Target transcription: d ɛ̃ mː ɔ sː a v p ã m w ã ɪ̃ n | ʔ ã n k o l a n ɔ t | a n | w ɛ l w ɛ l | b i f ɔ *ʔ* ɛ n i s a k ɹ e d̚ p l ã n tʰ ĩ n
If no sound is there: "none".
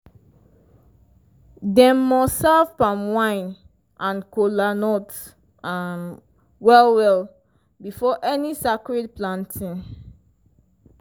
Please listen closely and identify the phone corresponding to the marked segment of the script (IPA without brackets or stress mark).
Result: ʔ